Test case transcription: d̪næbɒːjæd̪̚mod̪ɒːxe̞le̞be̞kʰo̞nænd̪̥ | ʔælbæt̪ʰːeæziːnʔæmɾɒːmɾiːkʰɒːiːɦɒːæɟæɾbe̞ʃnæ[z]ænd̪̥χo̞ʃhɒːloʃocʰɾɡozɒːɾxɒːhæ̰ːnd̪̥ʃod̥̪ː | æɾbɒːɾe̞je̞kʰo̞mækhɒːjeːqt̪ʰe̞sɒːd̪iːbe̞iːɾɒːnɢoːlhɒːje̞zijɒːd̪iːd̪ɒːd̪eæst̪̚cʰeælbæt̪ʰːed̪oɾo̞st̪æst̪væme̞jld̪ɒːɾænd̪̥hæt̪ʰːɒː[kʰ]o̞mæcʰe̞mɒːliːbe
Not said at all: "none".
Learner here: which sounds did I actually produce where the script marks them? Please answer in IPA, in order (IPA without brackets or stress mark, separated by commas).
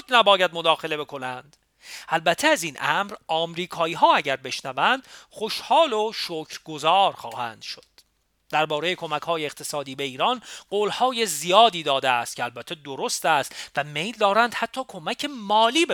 v, kʰ